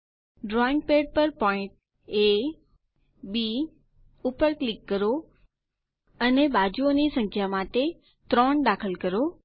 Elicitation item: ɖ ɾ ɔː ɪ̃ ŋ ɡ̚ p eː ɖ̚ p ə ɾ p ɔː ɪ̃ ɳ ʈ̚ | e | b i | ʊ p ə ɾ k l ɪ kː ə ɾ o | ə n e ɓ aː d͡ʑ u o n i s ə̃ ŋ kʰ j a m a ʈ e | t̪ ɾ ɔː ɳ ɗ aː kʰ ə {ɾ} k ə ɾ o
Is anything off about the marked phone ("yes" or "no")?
yes